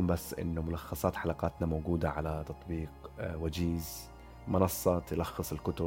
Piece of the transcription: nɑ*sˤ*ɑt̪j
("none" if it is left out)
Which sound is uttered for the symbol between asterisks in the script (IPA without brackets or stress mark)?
sˤː